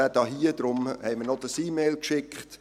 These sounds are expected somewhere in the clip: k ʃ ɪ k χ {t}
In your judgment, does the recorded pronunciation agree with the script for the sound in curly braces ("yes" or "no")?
yes